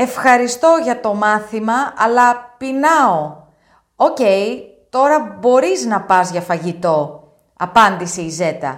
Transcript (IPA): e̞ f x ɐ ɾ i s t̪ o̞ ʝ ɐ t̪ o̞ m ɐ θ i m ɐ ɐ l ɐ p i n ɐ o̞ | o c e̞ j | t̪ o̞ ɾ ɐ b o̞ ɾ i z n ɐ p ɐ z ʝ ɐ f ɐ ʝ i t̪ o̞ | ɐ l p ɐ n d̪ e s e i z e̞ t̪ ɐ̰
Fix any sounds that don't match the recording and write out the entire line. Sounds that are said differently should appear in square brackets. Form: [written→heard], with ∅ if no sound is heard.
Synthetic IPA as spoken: e̞ f x ɐ ɾ i s t̪ o̞ ʝ ɐ t̪ o̞ m ɐ θ i m ɐ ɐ l ɐ p i n ɐ o̞ | o c e̞ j | t̪ o̞ ɾ ɐ b o̞ ɾ i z n ɐ p ɐ z ʝ ɐ f ɐ ʝ i t̪ o̞ | ɐ [l→∅] p ɐ n d̪ [e→i] s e i z e̞ t̪ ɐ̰